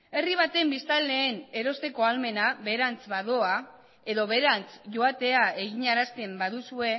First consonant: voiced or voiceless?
voiced